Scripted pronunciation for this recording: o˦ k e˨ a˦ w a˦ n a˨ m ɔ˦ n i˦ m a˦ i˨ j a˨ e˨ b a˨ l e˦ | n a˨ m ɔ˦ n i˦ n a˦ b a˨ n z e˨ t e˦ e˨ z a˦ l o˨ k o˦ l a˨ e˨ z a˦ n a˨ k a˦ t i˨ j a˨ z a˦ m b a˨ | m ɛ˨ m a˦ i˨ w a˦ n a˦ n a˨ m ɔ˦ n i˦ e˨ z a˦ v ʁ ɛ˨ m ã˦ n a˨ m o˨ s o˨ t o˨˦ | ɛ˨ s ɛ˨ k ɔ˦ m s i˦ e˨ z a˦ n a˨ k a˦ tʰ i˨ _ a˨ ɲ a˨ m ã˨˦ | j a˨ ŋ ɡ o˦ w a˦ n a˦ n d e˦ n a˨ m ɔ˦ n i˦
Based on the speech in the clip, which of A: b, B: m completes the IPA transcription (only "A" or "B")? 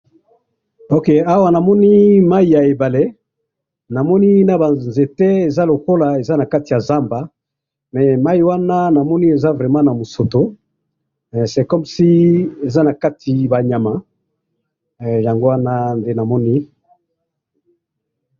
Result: A